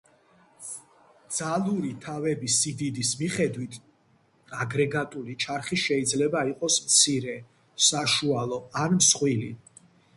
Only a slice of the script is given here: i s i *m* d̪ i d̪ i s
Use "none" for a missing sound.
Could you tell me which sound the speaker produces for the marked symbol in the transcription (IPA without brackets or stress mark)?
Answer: none